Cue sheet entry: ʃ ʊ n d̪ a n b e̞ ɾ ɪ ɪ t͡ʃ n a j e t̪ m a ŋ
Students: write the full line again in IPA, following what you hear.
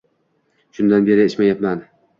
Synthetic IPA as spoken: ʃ ʊ n d̪ a n b e̞ ɾ ɪ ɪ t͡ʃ m a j a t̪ m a n